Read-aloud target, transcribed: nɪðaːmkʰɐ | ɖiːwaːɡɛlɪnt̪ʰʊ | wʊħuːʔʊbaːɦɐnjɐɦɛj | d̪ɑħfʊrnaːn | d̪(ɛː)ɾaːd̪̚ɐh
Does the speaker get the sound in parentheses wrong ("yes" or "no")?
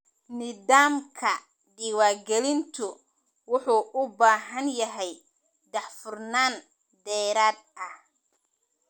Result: no